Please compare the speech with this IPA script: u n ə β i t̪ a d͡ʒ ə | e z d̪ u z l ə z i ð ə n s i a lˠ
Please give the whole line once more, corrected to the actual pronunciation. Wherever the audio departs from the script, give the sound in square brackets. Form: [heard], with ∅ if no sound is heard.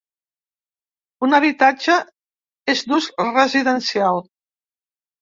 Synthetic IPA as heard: u n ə β i t̪ a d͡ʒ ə | e z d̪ u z [r] ə z i ð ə n s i a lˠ